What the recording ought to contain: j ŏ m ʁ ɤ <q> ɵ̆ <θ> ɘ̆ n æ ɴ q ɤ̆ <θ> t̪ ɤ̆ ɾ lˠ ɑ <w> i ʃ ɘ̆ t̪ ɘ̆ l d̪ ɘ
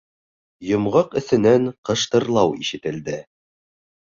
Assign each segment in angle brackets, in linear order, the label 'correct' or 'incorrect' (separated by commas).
correct, correct, incorrect, correct